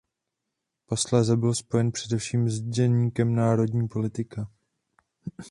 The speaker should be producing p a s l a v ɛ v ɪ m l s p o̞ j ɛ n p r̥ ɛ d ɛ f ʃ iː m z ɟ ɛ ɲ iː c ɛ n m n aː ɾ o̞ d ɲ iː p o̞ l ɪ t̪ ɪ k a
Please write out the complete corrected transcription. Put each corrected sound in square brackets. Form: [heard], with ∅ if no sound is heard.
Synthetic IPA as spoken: p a s l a [z] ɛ [b] ɪ [∅] l s p o̞ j ɛ n p r̥ ɛ d ɛ f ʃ iː m z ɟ ɛ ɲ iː [k] ɛ [∅] m n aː ɾ o̞ d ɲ iː p o̞ l ɪ t̪ ɪ k a